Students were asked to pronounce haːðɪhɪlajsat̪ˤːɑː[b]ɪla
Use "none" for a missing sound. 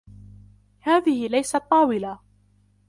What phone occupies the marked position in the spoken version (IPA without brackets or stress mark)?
w